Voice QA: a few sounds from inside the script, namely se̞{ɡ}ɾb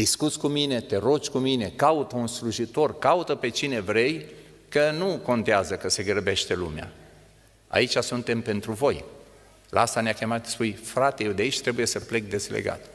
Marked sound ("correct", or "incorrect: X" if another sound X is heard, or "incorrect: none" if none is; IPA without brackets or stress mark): correct